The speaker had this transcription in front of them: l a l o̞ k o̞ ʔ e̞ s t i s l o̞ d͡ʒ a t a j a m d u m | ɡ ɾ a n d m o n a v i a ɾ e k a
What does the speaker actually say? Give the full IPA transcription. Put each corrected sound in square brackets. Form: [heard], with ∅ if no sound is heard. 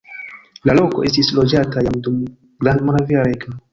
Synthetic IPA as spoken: l a l o̞ k o̞ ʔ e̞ s t i s l o̞ d͡ʒ a t a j a m d u m | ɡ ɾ a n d m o n a v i a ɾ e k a